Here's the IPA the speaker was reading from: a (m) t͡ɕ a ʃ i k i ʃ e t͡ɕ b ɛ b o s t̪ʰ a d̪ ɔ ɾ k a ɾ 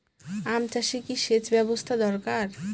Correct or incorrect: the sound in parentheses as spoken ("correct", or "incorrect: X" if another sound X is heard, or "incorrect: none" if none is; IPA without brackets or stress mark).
correct